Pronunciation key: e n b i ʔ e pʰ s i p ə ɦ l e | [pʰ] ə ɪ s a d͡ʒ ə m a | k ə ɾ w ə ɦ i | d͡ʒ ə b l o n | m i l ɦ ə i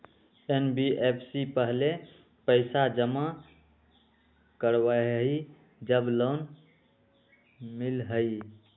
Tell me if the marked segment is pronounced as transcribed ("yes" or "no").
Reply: no